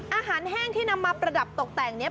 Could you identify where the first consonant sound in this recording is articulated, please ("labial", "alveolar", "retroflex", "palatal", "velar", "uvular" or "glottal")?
glottal